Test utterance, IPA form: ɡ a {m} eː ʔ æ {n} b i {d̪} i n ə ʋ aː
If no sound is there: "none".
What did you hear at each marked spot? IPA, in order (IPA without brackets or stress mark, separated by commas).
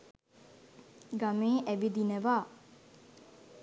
m, none, d̪